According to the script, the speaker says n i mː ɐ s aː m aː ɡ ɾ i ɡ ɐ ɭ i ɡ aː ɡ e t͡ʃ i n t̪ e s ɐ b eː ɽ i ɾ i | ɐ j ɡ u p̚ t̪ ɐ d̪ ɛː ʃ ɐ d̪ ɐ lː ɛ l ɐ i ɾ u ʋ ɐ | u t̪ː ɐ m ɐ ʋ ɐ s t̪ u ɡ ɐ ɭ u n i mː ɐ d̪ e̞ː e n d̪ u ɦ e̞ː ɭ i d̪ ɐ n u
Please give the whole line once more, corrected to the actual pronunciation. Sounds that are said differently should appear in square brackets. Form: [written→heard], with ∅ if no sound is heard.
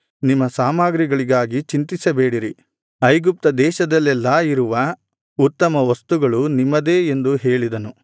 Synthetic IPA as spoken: n i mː ɐ s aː m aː ɡ ɾ i ɡ ɐ ɭ i ɡ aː ɡ [e→i] t͡ʃ i n t̪ [e→i] s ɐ b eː ɽ i ɾ i | ɐ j ɡ u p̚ t̪ ɐ d̪ ɛː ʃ ɐ d̪ ɐ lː ɛ [l→lː] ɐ i ɾ u ʋ ɐ | u t̪ː ɐ m ɐ ʋ ɐ s t̪ u ɡ ɐ ɭ u n i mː ɐ d̪ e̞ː e n d̪ u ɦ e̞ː ɭ i d̪ ɐ n u